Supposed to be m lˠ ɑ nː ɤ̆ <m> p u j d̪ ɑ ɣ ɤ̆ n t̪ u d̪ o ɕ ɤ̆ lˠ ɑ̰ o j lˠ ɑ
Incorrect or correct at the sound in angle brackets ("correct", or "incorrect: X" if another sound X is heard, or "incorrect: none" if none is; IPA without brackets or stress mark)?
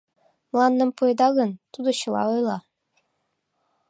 correct